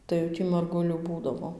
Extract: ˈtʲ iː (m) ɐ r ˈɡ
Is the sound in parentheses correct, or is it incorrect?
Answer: correct